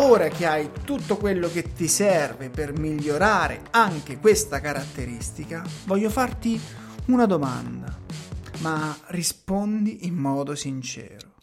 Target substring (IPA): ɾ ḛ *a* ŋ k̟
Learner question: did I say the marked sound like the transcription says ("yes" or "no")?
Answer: yes